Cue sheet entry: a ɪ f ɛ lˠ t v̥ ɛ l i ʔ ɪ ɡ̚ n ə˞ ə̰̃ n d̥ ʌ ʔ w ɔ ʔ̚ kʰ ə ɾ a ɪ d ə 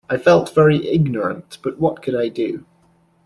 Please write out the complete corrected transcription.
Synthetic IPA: a ɪ f ɛ lˠ t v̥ ɛ ɹ i ʔ ɪ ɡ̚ n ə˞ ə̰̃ n b̥ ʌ ʔ w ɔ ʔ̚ kʰ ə ɾ a ɪ d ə